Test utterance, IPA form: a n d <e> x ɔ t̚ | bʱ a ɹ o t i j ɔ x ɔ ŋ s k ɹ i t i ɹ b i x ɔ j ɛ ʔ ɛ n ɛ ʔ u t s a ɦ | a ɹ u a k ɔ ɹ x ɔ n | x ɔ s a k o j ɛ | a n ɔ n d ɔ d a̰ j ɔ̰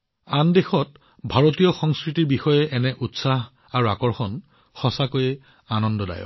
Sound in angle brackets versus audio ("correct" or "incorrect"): correct